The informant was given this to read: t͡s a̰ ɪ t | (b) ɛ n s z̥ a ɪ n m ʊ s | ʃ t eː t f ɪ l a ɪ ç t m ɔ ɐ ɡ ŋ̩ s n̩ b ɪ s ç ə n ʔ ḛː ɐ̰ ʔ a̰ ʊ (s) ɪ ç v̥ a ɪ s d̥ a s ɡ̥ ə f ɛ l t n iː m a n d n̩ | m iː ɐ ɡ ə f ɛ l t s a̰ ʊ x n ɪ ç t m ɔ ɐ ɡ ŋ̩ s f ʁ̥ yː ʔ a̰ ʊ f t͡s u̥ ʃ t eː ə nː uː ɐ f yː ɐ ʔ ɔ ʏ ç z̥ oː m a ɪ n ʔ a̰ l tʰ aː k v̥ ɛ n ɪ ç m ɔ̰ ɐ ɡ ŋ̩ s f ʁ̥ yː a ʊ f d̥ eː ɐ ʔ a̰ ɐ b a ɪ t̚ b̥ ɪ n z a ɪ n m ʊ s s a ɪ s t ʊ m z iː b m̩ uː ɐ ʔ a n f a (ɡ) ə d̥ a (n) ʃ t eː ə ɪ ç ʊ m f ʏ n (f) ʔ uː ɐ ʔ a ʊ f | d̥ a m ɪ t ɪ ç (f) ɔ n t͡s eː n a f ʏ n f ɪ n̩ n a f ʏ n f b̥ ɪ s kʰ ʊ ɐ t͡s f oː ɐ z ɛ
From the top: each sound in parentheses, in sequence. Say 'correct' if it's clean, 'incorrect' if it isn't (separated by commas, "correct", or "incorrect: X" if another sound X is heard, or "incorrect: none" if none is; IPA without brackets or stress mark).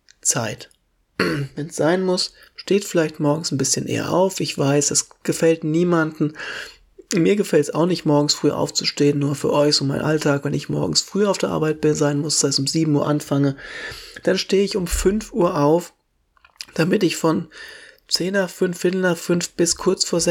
incorrect: v, incorrect: f, incorrect: ŋ, correct, correct, correct